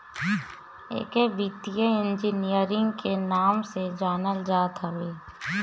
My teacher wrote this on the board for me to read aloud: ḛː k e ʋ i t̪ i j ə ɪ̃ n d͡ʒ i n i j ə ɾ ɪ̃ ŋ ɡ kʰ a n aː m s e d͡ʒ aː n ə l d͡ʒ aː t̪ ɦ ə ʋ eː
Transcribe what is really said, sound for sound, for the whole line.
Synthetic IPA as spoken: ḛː k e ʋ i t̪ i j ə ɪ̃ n d͡ʒ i n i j ə ɾ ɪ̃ ŋ ɡ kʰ e n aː m s e d͡ʒ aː n ə l d͡ʒ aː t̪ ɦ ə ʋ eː